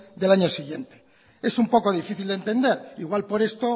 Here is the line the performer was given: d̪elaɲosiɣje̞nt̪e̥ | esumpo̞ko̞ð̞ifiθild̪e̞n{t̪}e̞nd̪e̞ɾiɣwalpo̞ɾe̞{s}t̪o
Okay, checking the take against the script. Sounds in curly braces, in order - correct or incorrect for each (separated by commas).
correct, correct